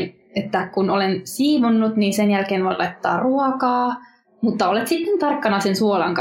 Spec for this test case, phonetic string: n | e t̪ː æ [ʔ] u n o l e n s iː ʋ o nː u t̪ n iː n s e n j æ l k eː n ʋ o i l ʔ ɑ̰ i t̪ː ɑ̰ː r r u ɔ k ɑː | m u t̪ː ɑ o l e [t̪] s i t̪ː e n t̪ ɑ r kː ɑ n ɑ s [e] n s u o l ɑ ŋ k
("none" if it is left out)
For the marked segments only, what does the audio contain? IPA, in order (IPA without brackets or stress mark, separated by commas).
k, t̪, e